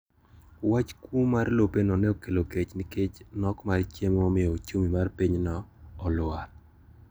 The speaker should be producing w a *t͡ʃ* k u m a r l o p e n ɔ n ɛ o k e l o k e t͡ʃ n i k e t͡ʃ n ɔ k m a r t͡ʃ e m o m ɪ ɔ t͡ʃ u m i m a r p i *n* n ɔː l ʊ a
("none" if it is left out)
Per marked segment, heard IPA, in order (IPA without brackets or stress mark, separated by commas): t͡ʃ, ɲ